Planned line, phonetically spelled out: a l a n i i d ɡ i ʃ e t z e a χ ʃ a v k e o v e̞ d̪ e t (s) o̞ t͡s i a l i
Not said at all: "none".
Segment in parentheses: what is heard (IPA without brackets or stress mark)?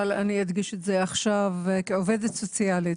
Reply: s